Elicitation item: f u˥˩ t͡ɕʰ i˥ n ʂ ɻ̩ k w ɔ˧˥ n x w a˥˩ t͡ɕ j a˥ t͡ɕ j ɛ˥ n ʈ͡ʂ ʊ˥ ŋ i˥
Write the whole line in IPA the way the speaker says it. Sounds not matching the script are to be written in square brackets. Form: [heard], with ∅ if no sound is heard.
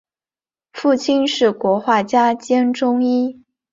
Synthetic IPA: f u˥˩ t͡ɕʰ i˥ n ʂ ɻ̩ k w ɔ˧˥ [∅] x w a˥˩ t͡ɕ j a˥ t͡ɕ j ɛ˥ n ʈ͡ʂ ʊ˥ ŋ i˥